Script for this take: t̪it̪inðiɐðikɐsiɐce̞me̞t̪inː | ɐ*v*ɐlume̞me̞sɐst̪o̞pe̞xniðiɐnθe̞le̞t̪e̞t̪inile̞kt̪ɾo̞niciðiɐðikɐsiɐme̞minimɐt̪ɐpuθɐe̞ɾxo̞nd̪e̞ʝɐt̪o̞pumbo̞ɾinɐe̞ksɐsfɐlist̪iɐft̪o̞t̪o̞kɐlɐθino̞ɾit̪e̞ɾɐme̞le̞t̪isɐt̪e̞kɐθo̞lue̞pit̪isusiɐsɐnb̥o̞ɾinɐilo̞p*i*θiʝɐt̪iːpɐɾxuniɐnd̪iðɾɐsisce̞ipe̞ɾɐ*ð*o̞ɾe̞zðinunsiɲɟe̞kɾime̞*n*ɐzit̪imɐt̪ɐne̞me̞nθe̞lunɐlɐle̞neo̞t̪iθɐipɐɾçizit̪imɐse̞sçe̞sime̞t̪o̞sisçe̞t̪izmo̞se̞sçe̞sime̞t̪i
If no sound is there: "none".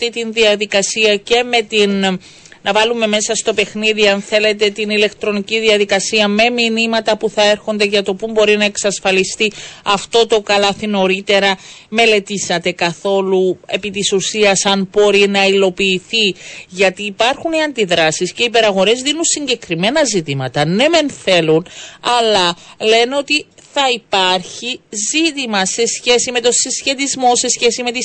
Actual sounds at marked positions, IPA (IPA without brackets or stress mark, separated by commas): v, iː, ɣ, n